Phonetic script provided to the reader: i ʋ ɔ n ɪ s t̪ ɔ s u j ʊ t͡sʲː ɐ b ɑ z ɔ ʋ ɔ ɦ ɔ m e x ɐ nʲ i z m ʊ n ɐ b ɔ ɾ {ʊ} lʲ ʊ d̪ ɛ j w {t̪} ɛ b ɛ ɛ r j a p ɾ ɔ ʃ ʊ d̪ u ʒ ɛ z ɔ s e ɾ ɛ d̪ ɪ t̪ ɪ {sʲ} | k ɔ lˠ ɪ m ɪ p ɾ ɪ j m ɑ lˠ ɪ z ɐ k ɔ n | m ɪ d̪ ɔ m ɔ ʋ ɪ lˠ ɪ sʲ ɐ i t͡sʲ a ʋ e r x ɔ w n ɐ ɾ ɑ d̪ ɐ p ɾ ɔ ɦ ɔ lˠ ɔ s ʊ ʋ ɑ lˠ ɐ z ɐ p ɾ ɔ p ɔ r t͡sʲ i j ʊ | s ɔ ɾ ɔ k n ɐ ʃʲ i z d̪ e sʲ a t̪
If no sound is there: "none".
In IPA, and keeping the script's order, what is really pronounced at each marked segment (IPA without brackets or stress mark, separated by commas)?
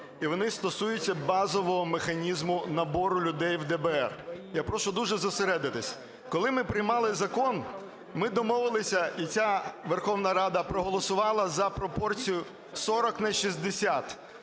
ʊ, d̪, sʲ